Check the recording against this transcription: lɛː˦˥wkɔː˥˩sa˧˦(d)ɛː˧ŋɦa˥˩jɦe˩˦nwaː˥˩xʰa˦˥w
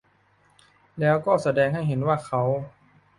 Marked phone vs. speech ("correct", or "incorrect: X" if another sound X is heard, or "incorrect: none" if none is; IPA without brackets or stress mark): correct